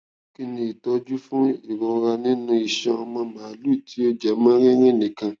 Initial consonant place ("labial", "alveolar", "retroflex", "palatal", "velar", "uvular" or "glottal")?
velar